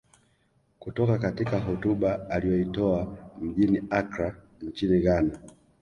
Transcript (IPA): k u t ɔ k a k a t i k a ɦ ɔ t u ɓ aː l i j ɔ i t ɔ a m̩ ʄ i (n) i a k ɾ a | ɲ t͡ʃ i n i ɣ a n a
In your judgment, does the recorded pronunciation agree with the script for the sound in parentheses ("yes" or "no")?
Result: yes